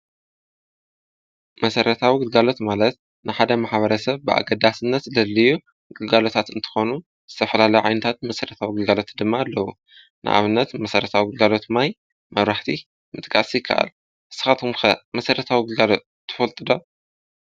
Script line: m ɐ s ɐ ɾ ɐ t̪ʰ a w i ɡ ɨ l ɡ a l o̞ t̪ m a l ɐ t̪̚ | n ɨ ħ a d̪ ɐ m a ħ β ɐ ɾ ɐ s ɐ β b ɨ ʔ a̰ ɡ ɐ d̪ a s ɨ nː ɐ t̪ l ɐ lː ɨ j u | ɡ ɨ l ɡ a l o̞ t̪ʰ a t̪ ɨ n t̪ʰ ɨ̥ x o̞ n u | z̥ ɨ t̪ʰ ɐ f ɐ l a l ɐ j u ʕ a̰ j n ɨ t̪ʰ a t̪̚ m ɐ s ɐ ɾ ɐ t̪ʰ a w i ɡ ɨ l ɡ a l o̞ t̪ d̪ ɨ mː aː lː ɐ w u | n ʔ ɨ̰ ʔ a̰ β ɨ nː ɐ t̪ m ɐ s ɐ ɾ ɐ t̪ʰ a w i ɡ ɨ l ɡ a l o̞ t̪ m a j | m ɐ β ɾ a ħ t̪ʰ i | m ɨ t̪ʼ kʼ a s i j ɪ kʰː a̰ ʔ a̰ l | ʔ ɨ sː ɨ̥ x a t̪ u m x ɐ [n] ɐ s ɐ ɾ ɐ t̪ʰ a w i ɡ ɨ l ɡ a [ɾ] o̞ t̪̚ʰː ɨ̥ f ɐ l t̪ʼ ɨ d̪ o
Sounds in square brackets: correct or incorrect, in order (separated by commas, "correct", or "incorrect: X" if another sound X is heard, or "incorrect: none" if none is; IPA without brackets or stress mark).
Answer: incorrect: m, incorrect: l